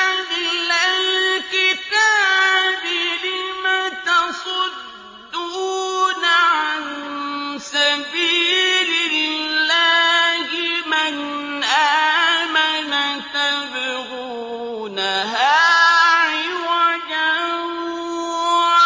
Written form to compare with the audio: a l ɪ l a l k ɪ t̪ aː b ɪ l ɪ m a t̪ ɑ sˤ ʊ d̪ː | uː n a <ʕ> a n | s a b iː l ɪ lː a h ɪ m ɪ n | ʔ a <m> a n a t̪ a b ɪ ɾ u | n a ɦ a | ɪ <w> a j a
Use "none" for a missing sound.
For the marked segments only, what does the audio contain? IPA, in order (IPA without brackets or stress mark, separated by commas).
ʕ, m, w